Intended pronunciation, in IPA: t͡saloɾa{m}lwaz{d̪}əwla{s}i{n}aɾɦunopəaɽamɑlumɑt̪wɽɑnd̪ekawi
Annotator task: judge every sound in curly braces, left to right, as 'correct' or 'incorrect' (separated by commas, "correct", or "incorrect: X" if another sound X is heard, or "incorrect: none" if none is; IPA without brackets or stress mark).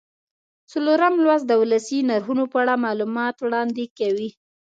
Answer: correct, correct, correct, correct